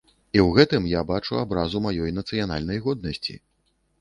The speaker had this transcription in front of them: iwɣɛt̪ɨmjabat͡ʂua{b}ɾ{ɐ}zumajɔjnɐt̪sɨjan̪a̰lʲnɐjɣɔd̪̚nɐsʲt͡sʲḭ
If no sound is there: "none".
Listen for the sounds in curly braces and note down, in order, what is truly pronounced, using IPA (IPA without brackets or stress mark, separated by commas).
b, a